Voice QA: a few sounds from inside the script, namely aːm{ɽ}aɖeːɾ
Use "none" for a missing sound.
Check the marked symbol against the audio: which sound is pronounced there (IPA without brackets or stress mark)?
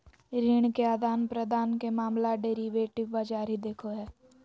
l